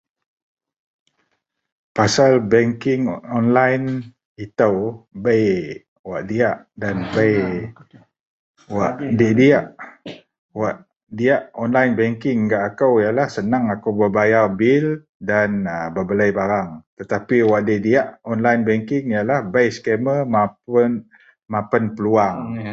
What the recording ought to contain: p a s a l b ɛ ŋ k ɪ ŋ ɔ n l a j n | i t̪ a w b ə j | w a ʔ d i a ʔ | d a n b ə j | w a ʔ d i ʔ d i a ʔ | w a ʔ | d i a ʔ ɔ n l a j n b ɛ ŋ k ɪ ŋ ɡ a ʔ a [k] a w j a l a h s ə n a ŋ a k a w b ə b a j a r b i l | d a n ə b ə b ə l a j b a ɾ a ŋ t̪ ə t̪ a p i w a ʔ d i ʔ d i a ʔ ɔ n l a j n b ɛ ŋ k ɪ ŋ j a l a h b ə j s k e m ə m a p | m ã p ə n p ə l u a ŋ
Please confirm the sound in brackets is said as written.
yes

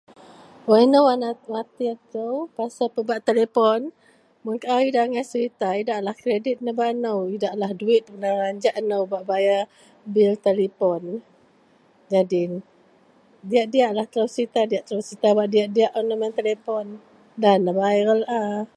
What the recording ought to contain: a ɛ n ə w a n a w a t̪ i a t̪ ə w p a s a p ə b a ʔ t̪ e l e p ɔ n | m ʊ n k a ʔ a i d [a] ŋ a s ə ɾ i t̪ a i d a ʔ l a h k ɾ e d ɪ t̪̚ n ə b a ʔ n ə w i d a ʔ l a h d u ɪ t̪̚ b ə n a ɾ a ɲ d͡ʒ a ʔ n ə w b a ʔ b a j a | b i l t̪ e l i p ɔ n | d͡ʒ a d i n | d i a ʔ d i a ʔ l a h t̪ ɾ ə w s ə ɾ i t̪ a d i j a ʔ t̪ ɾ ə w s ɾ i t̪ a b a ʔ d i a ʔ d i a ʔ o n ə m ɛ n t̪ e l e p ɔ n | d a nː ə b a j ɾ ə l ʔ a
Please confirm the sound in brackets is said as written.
yes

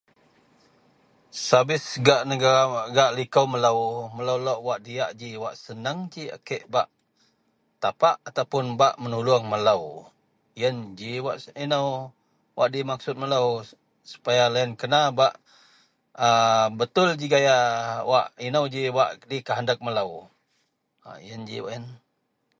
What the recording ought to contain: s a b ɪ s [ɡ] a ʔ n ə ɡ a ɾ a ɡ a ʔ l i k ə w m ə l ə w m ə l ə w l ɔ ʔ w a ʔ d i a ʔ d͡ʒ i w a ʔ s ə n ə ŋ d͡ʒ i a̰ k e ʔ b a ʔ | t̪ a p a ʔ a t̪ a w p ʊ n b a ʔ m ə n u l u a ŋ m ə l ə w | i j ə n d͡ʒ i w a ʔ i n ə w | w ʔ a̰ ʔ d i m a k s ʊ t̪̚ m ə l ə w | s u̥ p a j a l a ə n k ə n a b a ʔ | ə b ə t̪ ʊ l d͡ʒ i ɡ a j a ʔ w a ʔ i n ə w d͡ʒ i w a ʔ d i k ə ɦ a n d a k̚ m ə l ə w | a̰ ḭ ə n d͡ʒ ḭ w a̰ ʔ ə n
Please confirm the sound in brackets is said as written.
yes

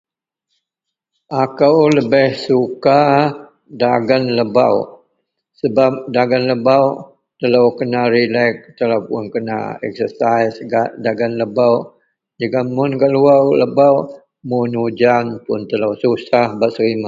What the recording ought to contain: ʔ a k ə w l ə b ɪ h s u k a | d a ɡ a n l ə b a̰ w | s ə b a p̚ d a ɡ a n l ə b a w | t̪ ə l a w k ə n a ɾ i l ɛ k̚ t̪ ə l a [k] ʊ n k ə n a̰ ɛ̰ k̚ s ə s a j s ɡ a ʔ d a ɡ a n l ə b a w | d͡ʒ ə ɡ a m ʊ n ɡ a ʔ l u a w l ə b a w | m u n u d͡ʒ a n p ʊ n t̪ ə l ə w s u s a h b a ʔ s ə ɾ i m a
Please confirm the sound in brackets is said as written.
no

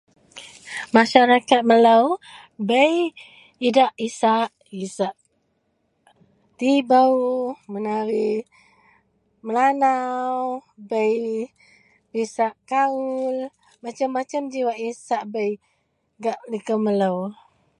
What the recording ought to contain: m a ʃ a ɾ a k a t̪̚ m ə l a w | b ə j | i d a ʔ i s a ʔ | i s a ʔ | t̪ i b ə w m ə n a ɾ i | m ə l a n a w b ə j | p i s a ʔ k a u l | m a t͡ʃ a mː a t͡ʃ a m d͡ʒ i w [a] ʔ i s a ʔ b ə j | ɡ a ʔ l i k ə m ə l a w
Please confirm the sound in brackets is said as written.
yes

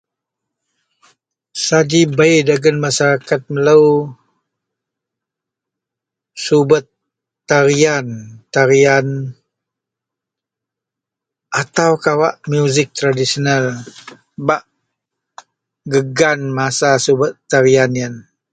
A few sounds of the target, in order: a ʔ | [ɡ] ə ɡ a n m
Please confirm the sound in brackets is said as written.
yes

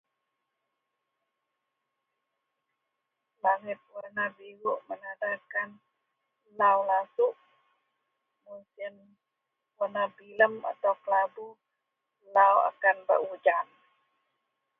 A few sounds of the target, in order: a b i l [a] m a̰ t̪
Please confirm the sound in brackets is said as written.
no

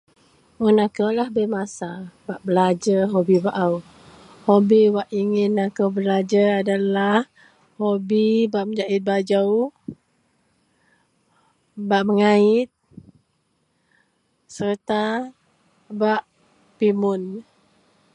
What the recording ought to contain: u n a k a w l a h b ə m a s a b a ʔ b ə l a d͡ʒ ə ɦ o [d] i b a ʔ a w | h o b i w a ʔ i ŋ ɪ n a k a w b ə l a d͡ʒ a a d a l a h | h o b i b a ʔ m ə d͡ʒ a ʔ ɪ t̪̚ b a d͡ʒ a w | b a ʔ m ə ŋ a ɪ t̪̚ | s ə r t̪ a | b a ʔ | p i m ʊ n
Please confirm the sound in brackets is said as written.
no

